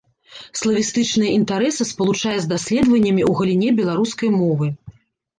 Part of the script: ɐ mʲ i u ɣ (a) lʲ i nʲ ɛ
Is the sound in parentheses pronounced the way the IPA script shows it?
no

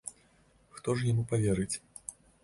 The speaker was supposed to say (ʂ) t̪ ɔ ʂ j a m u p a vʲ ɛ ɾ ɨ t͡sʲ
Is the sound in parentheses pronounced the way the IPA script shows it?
no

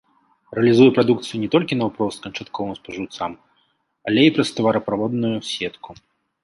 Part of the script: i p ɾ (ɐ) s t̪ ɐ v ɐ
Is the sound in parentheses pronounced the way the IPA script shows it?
yes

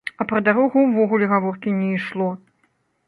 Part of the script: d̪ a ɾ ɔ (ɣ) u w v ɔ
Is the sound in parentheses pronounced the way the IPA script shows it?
yes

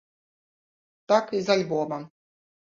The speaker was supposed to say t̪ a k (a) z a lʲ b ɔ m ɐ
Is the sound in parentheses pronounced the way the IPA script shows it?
no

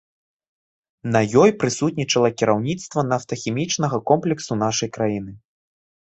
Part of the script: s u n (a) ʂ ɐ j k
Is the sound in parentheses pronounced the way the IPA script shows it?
yes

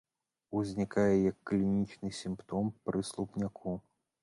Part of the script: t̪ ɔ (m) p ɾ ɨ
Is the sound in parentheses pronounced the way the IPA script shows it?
yes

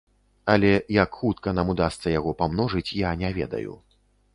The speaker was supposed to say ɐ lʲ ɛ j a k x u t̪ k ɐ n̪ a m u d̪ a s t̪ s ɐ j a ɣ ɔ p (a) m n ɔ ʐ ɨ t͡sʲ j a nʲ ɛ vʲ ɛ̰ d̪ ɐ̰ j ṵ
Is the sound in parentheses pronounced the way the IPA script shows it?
yes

